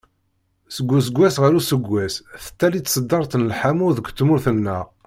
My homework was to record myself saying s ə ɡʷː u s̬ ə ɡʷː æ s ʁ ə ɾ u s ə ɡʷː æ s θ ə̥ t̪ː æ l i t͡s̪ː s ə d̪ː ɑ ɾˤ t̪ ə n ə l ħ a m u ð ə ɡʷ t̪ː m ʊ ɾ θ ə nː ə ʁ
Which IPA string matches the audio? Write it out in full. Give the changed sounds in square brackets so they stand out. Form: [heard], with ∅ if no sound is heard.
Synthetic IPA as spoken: s ə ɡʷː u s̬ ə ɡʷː æ s ʁ ə ɾ u s ə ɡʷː æ s θ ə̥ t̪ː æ l i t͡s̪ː s ə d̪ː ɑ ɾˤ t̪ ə n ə l ħ a m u ð ə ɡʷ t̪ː m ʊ ɾ θ ə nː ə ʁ